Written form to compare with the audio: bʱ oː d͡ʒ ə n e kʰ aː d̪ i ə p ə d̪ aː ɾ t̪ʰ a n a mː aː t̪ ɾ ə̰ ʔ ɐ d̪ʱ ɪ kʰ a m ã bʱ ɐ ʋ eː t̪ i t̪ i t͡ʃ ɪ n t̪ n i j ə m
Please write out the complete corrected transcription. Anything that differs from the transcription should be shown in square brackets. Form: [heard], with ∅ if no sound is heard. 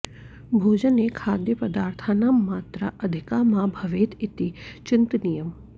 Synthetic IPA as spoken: bʱ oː d͡ʒ ə n e kʰ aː d̪ [j] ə p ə d̪ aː ɾ t̪ʰ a n a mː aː t̪ ɾ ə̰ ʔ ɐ d̪ʱ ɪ [k] a m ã bʱ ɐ ʋ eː t̪ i t̪ i t͡ʃ ɪ n t̪ n i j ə m